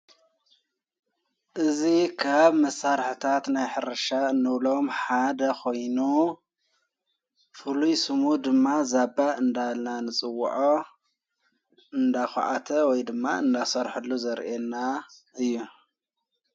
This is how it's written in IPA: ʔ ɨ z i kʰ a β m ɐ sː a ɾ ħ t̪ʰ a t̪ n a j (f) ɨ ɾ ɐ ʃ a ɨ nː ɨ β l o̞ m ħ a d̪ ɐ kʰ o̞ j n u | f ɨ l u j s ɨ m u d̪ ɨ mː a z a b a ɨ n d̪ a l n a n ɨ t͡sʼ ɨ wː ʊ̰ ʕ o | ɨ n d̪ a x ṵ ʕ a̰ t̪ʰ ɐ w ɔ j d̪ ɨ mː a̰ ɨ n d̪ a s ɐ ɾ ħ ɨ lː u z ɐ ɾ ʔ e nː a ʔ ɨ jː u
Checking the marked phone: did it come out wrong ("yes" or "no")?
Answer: yes